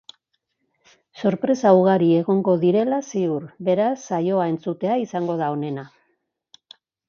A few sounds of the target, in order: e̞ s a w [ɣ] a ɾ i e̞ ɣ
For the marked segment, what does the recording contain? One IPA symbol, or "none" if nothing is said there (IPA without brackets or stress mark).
ɣ